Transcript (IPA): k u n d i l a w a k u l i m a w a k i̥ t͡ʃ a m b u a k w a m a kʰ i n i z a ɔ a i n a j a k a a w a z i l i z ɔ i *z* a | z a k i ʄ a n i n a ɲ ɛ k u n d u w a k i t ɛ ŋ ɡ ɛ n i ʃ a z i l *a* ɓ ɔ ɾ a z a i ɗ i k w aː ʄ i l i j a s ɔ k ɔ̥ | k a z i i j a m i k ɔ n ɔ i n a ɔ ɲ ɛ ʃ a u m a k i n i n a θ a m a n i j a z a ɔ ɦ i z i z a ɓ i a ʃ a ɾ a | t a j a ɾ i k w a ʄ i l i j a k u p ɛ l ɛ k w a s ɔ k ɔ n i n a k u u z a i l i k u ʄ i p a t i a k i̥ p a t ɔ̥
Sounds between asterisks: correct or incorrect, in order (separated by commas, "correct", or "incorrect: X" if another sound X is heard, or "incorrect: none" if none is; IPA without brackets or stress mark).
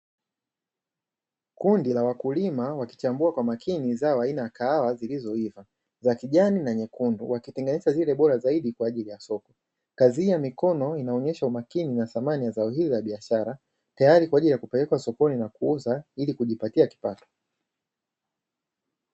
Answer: incorrect: v, incorrect: ɛ